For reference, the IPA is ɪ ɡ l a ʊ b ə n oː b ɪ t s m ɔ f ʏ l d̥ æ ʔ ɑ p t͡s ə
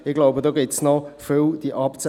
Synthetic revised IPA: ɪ ɡ l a ʊ b ə d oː ɡ ɪ t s n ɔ f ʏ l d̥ i ʔ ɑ p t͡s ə